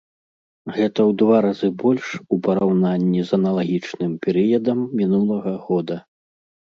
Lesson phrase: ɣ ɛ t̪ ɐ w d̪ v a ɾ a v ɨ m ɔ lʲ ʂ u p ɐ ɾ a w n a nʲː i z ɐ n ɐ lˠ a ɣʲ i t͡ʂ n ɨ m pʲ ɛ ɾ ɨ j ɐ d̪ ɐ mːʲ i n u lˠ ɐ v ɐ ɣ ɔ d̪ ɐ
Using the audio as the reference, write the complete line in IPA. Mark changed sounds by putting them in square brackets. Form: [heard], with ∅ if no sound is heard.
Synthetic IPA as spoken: ɣ ɛ t̪ ɐ w d̪ v a ɾ a [z] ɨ [b] ɔ lʲ ʂ u p ɐ ɾ a w n a nʲː i z ɐ n ɐ lˠ a ɣʲ i t͡ʂ n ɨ m pʲ ɛ ɾ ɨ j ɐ d̪ ɐ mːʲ i n u lˠ ɐ [ɣ] ɐ ɣ ɔ d̪ ɐ